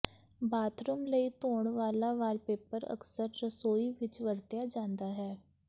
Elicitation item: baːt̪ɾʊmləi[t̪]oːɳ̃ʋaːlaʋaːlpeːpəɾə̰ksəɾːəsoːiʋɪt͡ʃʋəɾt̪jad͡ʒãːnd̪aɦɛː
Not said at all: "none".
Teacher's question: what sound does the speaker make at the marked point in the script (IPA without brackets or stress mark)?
t̪